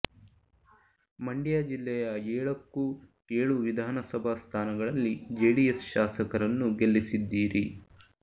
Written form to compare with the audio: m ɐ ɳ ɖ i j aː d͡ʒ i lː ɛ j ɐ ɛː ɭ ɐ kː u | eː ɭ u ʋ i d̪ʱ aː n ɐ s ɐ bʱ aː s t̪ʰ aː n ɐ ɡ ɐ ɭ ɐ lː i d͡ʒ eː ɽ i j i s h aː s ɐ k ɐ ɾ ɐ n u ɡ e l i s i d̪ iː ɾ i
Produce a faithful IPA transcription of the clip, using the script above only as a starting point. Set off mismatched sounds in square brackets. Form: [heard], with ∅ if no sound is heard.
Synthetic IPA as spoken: m ɐ ɳ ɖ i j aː d͡ʒ i lː ɛ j ɐ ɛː ɭ ɐ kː u | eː ɭ u ʋ i d̪ʱ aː n ɐ s ɐ bʱ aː s t̪ʰ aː n ɐ ɡ ɐ ɭ ɐ lː i d͡ʒ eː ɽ i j [e] s [ʃ] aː s ɐ k ɐ ɾ ɐ [nː] u ɡ e [lː] i s i [d̪ː] iː ɾ i